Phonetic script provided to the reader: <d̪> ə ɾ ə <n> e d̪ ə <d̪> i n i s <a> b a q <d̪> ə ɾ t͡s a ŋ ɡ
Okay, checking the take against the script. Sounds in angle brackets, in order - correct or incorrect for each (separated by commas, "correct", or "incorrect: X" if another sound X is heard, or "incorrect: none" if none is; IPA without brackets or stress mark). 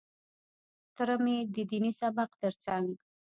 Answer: incorrect: t̪, incorrect: m, correct, correct, incorrect: t̪